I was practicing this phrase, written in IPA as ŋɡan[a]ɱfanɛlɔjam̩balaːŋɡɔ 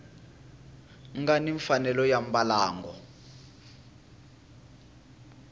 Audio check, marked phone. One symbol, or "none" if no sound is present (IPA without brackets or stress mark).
i